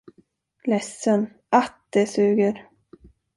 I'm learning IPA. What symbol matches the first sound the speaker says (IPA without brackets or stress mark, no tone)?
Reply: l